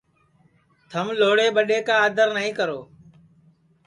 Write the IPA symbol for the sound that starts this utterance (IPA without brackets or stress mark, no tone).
t̪ʰ